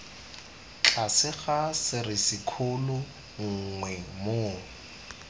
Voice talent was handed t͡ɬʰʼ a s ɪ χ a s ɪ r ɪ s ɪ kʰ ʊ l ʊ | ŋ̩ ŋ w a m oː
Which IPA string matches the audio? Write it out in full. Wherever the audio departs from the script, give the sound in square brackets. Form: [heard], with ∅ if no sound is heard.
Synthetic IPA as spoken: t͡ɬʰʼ a s ɪ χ a s ɪ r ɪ s ɪ kʰ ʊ l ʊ | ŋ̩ ŋ w [ɛ] m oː